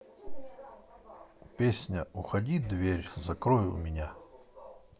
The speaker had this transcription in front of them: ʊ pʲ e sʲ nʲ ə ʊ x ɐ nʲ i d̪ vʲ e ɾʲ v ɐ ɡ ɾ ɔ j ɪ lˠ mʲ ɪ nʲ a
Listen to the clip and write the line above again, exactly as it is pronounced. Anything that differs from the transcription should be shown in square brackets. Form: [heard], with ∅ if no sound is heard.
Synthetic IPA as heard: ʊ pʲ e sʲ nʲ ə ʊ x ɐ [dʲ] i d̪ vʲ e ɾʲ [z] ɐ [k] ɾ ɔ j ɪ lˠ mʲ ɪ nʲ a